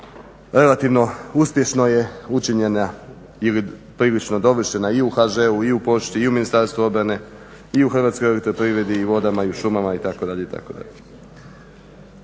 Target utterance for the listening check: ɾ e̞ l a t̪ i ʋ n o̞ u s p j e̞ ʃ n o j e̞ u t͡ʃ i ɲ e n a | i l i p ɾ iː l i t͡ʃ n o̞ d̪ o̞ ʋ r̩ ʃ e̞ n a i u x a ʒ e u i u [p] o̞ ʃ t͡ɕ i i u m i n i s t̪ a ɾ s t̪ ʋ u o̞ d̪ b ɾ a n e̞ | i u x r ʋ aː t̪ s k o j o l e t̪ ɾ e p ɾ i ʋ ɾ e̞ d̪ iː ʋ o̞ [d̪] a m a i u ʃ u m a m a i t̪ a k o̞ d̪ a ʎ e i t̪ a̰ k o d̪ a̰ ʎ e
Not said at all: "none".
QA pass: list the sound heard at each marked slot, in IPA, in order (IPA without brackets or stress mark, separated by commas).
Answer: p, d̪